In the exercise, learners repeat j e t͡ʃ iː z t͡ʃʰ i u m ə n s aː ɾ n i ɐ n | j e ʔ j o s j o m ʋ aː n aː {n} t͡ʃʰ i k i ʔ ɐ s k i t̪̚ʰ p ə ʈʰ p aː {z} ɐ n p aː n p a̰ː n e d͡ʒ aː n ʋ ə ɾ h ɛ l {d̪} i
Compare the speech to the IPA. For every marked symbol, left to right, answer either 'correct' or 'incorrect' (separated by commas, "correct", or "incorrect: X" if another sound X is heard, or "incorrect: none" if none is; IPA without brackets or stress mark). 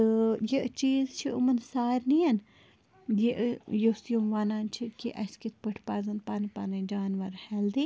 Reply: correct, correct, correct